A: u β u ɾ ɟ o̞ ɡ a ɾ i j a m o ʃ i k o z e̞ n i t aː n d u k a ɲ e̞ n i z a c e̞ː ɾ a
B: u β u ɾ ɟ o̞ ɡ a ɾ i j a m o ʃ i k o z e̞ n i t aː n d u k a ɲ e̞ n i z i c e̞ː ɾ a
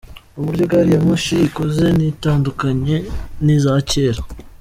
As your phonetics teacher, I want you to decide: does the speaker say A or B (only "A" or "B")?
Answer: A